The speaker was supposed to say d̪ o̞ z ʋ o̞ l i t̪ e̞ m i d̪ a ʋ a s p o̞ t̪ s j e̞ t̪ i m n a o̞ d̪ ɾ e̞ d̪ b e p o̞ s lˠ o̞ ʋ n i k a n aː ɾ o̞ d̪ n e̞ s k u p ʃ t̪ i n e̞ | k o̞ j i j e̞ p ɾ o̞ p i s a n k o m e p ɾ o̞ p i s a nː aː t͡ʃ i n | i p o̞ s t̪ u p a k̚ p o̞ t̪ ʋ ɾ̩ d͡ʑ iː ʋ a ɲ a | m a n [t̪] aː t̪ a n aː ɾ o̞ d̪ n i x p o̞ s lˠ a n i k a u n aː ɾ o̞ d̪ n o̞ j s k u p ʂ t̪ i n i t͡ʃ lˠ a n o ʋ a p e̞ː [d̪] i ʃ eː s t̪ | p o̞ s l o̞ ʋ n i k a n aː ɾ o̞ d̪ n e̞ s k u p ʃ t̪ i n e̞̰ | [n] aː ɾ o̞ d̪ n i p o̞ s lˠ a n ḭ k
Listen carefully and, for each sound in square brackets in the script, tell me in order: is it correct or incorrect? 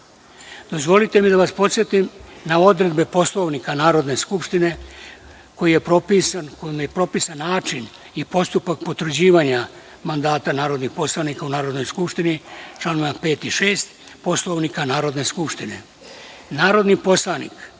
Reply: incorrect: d̪, incorrect: t̪, correct

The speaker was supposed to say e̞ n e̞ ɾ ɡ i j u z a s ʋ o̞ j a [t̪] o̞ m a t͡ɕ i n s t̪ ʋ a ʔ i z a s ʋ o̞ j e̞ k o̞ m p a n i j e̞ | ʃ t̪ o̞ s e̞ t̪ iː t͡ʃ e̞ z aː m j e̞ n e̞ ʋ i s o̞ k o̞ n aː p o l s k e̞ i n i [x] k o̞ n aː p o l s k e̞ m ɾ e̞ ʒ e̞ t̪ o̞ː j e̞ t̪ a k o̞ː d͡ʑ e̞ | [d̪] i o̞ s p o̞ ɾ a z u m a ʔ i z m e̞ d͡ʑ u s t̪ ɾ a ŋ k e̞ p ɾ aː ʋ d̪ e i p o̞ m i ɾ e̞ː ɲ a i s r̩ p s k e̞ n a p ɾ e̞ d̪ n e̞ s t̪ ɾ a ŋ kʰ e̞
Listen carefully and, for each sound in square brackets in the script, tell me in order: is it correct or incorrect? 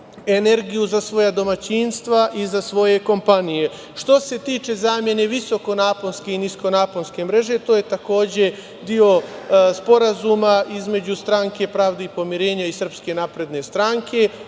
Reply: incorrect: d̪, incorrect: s, correct

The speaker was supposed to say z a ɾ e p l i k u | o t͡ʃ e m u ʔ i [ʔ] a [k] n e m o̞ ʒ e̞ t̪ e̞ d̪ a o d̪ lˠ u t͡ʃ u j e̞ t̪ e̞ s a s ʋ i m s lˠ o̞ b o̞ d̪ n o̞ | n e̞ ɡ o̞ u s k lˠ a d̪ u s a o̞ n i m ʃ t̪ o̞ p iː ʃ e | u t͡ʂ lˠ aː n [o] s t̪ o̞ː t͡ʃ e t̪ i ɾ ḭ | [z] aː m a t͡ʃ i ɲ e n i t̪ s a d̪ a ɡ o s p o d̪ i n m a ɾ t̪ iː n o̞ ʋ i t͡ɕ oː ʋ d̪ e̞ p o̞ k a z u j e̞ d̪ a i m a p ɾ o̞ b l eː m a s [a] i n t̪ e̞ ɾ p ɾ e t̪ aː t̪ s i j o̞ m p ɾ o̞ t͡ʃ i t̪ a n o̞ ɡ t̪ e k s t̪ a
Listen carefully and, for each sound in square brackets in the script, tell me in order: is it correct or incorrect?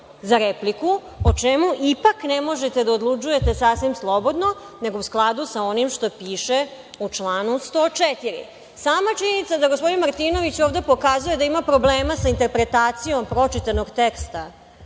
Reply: incorrect: p, correct, incorrect: u, incorrect: s, correct

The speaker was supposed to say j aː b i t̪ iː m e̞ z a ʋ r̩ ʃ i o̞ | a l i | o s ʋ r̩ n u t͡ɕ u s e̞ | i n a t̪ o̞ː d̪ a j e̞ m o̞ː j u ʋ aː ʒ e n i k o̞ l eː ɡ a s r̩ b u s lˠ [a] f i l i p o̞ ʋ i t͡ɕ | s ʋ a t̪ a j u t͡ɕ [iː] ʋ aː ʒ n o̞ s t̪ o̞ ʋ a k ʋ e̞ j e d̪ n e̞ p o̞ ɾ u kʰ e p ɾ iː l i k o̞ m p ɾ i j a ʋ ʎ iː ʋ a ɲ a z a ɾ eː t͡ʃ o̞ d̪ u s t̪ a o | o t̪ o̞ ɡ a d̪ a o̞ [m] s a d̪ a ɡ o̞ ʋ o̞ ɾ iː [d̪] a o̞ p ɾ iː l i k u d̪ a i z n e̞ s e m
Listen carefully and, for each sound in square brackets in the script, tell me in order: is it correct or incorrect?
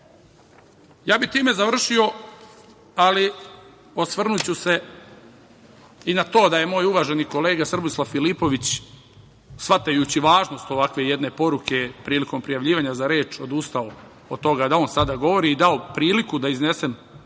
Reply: correct, incorrect: i, incorrect: n, correct

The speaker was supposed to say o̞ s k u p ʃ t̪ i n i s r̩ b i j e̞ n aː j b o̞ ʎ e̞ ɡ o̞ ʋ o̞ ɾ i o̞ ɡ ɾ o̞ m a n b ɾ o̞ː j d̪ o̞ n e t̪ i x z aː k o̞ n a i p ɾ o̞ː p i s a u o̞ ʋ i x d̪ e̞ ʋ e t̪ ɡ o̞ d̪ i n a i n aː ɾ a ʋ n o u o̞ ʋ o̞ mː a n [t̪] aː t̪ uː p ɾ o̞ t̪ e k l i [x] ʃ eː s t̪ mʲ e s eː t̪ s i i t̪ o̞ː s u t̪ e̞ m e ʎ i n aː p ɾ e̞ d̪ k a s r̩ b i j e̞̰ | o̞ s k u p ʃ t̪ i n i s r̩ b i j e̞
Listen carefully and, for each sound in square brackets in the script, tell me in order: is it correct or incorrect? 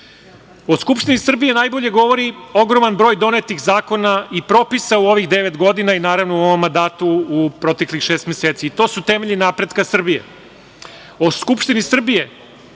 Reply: incorrect: d̪, correct

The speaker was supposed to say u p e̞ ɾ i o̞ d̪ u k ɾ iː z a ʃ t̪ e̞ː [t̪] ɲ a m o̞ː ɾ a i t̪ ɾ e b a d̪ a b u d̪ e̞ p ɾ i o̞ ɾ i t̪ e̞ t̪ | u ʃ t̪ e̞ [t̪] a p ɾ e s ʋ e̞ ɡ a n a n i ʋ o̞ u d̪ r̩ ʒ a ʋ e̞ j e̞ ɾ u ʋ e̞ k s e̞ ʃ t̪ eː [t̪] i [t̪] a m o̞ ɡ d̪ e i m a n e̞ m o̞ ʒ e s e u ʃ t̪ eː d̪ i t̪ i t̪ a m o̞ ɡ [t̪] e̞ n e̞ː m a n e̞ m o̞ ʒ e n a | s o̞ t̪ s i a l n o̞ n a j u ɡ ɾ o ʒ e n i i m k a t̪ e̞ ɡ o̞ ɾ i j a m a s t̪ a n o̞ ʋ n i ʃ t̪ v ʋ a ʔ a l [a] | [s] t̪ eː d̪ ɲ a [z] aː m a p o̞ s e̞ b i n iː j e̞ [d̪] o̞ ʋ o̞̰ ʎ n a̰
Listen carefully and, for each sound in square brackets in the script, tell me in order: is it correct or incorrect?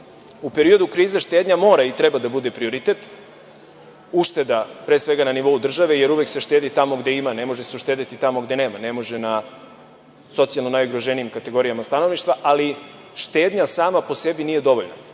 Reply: incorrect: d̪, incorrect: d̪, incorrect: d̪, correct, incorrect: d̪, incorrect: i, incorrect: ʃ, incorrect: s, correct

